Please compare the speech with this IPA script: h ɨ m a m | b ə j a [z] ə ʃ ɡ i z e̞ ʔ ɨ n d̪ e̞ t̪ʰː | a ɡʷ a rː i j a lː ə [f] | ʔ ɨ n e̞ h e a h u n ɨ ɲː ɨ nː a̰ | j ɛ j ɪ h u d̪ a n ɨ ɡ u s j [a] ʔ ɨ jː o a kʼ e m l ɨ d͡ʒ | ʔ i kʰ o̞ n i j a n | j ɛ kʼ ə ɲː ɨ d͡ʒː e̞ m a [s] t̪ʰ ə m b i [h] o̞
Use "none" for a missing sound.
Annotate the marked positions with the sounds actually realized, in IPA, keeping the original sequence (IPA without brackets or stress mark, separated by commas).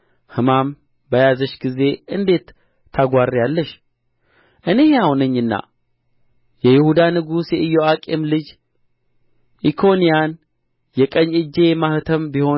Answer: z, ʃ, ɛ, h, h